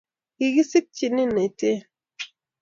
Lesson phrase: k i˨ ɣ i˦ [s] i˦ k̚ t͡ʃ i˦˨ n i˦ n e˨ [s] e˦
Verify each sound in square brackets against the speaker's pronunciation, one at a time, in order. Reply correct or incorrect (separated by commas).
correct, incorrect